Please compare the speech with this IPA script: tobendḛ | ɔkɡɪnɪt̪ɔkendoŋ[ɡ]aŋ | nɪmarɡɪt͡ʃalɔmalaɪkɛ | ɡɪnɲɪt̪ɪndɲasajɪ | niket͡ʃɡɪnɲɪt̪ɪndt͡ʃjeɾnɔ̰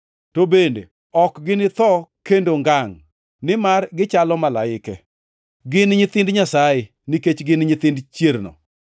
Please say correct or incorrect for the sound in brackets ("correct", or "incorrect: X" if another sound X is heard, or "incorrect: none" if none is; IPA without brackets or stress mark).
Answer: correct